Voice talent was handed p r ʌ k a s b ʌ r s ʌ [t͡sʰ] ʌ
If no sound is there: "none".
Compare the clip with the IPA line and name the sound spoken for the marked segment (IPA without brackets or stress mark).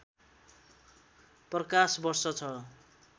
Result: t͡sʰ